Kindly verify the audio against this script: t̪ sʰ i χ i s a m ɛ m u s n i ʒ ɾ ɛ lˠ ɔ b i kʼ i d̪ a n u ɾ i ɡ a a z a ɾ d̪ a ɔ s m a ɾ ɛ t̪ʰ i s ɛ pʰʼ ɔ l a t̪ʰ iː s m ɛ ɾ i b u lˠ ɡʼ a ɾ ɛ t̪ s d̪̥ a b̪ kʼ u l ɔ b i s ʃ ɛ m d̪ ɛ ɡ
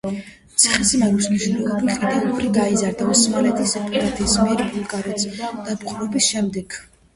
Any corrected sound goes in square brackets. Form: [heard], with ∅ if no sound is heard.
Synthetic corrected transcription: t̪ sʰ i χ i s [i] m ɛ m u s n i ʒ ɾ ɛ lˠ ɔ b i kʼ i d̪ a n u ɾ i ɡ a [i] z a ɾ d̪ a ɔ s m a [l] ɛ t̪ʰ i s ɛ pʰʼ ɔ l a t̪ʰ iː s m ɛ ɾ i b u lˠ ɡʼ a ɾ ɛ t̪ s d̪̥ a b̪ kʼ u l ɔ b i s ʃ ɛ m d̪ ɛ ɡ